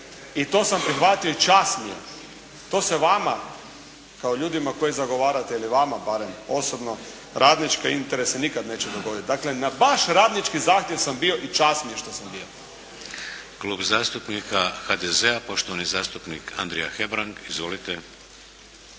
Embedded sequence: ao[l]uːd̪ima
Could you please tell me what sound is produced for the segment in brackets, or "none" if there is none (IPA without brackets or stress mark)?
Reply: ʎ